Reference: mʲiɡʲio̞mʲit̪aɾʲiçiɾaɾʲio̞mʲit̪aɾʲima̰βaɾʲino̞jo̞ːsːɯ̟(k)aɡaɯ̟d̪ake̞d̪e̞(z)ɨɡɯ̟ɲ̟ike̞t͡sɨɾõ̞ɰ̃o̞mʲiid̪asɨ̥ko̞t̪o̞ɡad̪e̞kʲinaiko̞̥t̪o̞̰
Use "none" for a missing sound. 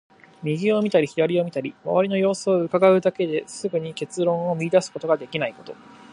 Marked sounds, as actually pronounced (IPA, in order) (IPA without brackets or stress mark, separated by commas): k, s